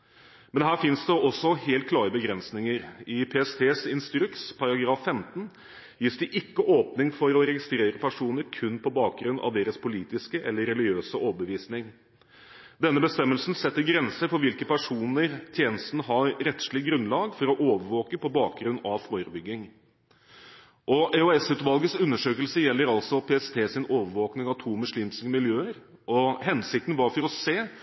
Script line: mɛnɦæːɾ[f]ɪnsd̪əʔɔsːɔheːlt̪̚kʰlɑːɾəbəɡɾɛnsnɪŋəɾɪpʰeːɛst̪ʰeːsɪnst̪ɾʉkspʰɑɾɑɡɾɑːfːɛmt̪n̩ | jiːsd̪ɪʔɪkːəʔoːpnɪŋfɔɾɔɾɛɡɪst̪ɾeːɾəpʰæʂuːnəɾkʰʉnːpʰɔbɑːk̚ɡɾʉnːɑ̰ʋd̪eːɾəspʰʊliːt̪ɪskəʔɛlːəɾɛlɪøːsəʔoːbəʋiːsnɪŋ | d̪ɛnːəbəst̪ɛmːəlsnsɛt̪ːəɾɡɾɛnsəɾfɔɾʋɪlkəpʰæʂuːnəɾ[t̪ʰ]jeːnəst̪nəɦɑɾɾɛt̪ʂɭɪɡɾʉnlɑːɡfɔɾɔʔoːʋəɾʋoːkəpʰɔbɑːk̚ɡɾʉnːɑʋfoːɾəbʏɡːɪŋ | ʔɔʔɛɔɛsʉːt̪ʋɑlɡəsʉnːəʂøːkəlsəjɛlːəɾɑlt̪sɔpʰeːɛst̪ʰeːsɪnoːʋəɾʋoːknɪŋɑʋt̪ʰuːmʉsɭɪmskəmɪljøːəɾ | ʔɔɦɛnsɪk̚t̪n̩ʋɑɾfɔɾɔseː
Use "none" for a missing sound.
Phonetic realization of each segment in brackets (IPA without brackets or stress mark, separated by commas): f, t̪ʰ